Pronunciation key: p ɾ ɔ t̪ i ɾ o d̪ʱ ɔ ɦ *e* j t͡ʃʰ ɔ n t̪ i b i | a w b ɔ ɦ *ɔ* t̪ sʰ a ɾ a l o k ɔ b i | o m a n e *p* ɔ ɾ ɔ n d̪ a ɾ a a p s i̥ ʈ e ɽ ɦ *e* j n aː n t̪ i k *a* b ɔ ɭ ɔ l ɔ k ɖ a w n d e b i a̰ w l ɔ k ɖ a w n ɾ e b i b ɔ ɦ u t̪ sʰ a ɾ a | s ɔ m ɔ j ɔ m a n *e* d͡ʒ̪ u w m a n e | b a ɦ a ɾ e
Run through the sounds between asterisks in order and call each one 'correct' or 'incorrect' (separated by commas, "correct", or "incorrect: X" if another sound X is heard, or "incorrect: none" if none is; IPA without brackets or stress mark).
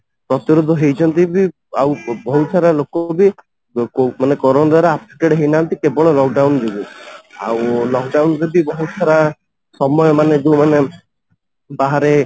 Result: correct, incorrect: u, incorrect: k, correct, incorrect: e, correct